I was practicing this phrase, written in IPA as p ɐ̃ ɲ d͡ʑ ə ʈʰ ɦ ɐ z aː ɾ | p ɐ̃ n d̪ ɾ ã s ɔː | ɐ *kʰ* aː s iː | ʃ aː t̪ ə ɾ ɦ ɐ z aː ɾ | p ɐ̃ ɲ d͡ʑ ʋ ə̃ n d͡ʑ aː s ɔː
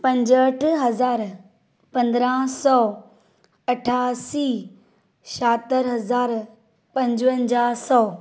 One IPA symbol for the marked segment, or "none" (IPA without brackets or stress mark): ʈʰ